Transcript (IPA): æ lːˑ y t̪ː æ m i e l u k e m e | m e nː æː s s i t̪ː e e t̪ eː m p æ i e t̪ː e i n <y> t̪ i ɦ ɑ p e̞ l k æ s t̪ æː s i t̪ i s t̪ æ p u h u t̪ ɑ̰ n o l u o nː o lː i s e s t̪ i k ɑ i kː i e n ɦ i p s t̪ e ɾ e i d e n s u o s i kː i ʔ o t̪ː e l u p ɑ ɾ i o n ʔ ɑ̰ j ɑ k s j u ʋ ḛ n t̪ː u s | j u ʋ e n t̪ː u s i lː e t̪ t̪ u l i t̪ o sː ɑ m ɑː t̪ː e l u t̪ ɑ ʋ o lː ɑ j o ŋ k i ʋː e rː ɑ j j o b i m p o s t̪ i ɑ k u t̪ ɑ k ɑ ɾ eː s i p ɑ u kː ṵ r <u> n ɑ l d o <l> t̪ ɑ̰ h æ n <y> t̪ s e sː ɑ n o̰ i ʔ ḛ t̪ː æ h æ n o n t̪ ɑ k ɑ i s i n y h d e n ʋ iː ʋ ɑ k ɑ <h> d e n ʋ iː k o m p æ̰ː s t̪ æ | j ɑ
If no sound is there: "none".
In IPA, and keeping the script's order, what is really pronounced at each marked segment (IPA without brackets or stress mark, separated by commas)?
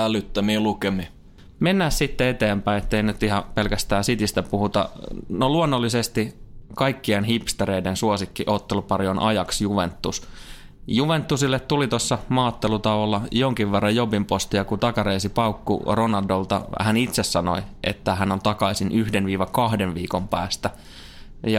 y, o, l, i, h